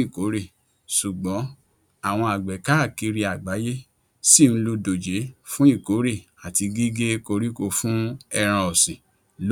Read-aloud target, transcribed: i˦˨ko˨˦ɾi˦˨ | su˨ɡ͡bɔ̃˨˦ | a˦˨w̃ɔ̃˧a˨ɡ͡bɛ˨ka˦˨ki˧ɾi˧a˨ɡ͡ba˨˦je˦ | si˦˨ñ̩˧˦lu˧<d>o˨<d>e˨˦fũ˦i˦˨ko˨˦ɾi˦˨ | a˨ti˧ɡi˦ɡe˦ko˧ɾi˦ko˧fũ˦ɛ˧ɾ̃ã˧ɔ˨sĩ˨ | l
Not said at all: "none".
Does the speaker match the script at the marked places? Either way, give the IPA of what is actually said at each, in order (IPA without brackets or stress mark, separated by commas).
d, d͡ʒ